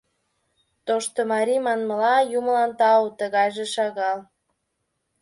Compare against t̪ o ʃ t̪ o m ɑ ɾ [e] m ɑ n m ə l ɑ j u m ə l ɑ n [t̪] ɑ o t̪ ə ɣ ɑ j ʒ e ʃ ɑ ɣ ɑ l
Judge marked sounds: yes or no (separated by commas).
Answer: no, yes